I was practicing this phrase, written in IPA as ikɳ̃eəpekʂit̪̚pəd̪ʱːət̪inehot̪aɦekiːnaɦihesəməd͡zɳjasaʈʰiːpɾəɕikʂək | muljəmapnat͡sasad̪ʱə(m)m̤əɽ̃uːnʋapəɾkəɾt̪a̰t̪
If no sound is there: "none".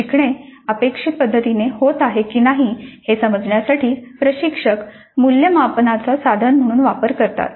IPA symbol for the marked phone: n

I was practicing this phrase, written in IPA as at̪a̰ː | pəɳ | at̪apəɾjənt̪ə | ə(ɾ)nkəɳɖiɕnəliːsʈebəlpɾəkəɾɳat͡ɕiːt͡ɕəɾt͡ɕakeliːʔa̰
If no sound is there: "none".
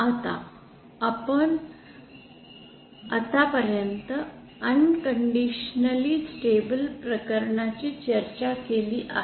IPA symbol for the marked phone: none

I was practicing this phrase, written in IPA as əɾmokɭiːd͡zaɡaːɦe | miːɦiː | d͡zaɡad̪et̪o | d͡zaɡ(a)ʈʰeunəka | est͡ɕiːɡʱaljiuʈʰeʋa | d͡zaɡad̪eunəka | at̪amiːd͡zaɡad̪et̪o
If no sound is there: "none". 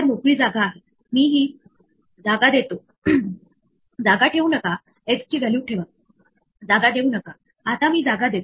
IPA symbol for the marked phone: a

